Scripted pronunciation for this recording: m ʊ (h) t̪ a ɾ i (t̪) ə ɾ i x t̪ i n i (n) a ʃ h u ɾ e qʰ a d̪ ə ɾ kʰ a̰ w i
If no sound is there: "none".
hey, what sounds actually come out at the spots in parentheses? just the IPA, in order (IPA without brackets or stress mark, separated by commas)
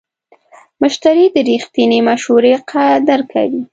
ʃ, d̪, m